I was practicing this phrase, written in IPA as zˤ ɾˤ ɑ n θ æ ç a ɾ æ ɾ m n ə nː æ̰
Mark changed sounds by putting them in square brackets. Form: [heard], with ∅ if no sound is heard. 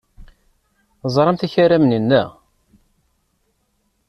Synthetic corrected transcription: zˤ ɾˤ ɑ [m] θ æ ç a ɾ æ [∅] m n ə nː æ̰